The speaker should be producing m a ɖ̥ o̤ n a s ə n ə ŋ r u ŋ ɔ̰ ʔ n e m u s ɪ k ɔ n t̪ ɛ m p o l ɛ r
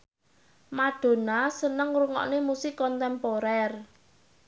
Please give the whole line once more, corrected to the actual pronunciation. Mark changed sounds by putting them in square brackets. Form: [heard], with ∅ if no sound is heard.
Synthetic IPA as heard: m a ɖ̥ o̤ n a s ə n ə ŋ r u ŋ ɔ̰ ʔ n e m u s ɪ k ɔ n t̪ ɛ m p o [ɾ] ɛ r